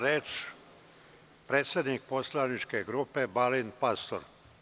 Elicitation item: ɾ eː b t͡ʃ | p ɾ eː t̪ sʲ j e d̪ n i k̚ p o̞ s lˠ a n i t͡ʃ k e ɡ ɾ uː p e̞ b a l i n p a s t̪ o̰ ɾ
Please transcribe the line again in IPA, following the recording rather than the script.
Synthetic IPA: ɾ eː t͡ʃ | p ɾ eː t̪ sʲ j e d̪ n i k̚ p o̞ s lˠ a n i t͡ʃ k e ɡ ɾ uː p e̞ b a l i n p a s t̪ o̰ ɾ